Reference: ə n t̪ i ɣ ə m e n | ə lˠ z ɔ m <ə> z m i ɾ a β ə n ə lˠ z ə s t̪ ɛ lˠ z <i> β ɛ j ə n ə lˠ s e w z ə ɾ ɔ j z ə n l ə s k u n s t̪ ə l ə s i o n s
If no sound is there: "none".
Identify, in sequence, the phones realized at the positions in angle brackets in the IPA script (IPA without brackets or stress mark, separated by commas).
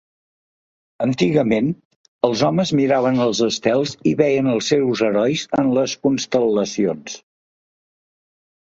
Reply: ə, i